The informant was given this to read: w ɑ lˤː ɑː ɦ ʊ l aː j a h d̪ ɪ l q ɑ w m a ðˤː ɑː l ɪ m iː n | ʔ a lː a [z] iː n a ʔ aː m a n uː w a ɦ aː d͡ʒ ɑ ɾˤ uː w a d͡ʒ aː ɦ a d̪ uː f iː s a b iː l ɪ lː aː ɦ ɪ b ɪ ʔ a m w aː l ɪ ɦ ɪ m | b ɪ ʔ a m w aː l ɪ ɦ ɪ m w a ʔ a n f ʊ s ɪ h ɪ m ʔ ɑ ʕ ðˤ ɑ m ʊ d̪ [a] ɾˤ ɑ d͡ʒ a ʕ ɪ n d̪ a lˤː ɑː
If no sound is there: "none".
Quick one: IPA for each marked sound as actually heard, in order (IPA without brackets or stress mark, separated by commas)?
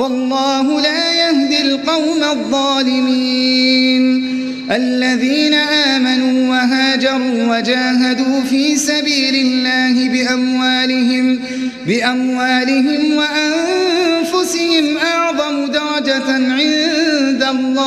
ð, ɑ